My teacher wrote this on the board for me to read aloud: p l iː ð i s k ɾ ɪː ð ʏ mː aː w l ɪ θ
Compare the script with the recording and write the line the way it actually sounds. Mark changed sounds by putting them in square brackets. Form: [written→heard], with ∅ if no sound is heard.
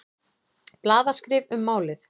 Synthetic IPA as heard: p l [iː→aː] ð [i→a] s k ɾ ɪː [ð→v] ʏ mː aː w l ɪ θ

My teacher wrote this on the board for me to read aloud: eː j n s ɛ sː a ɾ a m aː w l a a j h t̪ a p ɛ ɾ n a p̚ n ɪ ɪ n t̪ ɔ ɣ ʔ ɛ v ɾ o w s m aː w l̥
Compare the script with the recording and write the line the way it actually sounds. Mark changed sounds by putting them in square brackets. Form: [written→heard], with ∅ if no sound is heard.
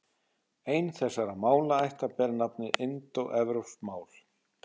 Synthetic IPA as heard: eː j n [s→θ] ɛ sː a ɾ a m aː w l a a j h t̪ a p ɛ ɾ n a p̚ n ɪ ɪ n t̪ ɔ ɣ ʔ ɛ v ɾ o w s m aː w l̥

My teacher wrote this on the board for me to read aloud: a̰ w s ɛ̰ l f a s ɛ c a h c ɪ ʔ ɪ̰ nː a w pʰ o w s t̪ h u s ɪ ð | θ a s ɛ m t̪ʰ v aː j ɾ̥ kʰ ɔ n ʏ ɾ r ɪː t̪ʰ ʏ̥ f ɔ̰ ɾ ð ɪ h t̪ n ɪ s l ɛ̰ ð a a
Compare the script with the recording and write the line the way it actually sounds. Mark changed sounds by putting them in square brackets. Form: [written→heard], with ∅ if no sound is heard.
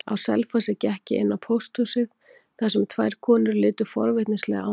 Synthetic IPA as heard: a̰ w s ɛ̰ l f a s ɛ c [a→ɛ] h c ɪ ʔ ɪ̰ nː a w pʰ o w s t̪ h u s ɪ ð | θ a s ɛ m t̪ʰ v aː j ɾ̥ kʰ [ɔ→ɔː] n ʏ ɾ [r→l] ɪː [t̪ʰ→t̪] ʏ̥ f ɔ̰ ɾ [ð→v] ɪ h t̪ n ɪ s l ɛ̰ [ð→ɣ] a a

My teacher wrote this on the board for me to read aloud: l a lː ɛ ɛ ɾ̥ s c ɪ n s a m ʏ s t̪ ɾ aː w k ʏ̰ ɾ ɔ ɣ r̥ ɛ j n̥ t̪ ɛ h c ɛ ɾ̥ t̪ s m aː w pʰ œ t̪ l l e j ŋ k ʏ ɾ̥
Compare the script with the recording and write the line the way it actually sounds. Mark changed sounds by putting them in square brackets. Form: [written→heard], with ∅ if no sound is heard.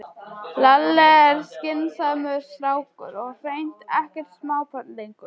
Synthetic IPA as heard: l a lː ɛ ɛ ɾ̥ s c ɪ n s a m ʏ s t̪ ɾ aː w k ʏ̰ ɾ ɔ ɣ r̥ [ɛ→e] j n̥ t̪ ɛ h c ɛ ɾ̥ t̪ s m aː w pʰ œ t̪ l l e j ŋ k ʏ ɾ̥

